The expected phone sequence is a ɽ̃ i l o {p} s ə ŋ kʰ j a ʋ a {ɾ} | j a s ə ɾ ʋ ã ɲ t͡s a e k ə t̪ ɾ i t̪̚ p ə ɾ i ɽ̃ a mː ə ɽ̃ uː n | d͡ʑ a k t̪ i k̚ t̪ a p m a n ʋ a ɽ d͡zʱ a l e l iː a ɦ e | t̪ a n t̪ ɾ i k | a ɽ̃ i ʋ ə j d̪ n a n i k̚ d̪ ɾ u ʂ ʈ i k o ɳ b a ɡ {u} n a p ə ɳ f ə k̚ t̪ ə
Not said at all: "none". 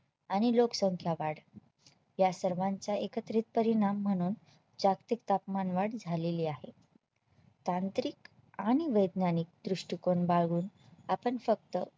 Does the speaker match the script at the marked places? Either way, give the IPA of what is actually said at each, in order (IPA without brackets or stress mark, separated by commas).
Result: k, ɽ, uː